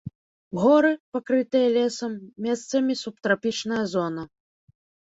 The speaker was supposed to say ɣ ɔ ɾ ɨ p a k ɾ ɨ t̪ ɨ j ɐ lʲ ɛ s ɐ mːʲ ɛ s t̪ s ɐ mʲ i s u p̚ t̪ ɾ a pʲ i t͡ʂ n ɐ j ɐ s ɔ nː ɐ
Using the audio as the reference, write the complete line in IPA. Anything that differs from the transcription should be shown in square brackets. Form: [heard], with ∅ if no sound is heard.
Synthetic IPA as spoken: ɣ ɔ ɾ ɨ p a k ɾ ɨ t̪ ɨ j ɐ lʲ ɛ s ɐ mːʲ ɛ s t̪ s ɐ mʲ i s u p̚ t̪ ɾ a pʲ i t͡ʂ n ɐ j ɐ [z] ɔ [n] ɐ